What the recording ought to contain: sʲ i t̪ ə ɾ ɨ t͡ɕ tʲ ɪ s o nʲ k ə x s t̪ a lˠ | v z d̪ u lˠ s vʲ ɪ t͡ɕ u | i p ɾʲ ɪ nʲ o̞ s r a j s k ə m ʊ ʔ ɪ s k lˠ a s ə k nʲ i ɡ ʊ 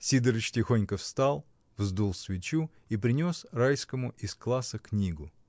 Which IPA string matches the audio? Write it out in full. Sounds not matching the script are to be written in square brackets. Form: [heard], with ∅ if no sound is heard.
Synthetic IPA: sʲ i [d̪] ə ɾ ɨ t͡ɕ tʲ ɪ [x] o nʲ k ə [f] s t̪ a lˠ | v z d̪ u lˠ s vʲ ɪ t͡ɕ u | i p ɾʲ ɪ nʲ o̞ s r a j s k ə m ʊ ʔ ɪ s k lˠ a s ə k nʲ i ɡ ʊ